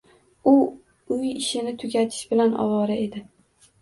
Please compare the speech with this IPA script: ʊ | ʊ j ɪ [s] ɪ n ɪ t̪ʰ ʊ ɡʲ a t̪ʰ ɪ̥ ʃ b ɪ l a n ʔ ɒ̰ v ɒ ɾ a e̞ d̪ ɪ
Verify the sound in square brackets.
incorrect: ʃ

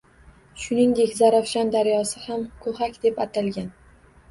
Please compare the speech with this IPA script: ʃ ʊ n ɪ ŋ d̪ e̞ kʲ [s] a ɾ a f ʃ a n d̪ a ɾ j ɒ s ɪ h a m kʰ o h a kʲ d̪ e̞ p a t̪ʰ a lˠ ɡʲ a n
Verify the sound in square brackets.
incorrect: z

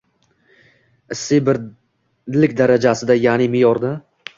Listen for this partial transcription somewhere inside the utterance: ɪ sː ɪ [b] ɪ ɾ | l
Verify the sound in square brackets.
correct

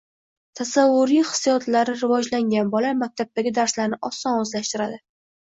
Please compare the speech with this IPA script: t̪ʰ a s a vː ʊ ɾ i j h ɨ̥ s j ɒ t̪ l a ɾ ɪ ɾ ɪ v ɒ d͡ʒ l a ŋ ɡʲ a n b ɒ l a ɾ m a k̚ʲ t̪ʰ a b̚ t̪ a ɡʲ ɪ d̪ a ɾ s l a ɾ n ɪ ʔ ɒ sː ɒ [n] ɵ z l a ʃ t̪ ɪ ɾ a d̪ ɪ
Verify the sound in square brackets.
correct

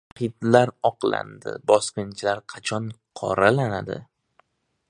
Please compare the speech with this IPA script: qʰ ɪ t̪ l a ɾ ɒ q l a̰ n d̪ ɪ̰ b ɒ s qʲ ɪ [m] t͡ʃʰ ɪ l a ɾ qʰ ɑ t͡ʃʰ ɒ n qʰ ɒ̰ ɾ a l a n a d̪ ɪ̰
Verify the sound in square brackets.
incorrect: n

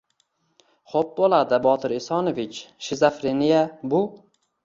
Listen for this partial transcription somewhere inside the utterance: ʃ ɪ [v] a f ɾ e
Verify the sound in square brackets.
incorrect: z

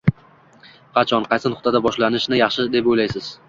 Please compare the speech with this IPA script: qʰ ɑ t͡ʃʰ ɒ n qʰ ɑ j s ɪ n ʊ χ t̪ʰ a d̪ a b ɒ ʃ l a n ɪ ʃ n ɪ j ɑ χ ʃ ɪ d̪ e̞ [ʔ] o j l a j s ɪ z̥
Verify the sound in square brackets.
incorrect: p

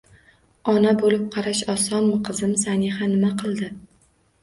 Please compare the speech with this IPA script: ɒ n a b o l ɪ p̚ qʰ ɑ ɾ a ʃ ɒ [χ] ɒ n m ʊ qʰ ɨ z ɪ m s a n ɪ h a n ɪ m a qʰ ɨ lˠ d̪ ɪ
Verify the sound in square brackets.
incorrect: s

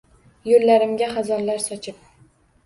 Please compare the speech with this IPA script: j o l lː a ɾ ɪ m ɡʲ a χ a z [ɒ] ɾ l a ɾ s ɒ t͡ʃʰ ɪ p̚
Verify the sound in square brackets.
correct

